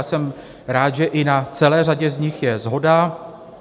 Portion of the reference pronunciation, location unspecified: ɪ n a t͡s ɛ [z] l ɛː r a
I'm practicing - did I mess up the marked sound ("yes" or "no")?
yes